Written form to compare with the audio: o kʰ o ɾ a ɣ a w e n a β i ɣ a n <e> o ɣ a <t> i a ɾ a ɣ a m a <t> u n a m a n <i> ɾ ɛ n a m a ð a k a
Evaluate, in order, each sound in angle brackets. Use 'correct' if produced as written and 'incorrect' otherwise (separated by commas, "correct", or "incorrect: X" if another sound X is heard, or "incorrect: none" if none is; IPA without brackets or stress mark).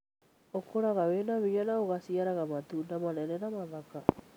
incorrect: a, incorrect: s, correct, incorrect: ɛ